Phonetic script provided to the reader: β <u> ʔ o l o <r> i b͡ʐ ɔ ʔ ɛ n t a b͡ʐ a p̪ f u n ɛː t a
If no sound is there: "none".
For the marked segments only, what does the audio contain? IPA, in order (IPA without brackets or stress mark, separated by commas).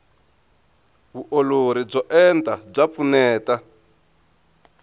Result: u, ɾ